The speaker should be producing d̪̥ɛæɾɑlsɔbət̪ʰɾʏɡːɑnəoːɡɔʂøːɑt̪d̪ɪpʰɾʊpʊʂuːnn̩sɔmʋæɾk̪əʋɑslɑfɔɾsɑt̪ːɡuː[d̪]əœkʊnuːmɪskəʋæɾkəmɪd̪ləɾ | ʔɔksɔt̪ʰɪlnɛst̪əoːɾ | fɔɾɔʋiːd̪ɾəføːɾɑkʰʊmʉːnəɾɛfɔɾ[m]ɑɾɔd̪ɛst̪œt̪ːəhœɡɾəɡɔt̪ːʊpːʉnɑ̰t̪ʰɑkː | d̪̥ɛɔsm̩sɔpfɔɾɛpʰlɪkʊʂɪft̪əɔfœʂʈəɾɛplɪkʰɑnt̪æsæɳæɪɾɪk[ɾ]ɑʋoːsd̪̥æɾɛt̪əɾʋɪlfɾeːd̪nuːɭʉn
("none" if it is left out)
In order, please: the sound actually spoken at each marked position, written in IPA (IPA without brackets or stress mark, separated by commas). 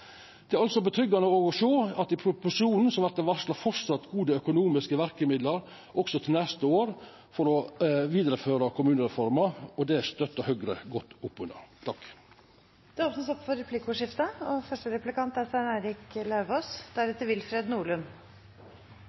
d̪, m, l